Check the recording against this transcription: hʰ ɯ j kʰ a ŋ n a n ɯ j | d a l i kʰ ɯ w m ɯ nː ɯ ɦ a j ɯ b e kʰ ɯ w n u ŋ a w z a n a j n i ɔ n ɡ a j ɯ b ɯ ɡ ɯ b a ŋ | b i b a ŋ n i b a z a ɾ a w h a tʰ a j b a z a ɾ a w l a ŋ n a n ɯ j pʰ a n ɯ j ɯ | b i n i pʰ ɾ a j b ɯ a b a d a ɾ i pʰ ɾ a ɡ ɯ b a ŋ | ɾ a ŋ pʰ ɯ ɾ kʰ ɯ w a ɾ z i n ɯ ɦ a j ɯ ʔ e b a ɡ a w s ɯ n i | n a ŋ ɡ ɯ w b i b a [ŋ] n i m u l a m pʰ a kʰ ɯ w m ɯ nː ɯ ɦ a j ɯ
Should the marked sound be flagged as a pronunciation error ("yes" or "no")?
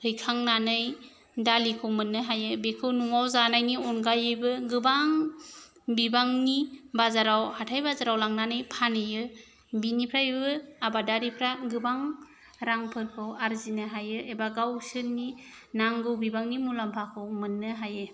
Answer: no